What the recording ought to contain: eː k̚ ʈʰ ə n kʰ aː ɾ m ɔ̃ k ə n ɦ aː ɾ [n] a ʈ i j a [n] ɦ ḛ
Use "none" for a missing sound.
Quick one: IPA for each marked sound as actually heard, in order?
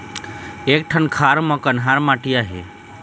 m, none

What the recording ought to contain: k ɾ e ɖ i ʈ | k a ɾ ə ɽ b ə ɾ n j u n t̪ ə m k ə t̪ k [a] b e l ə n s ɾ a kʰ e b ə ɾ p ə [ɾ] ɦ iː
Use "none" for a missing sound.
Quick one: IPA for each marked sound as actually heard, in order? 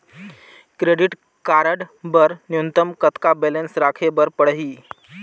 a, ɽ

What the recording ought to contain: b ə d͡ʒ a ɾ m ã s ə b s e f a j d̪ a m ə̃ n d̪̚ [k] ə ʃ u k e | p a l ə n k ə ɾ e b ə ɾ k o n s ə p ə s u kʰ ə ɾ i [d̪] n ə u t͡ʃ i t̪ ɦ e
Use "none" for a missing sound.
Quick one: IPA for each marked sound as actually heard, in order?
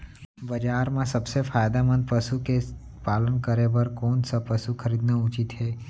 p, d̪

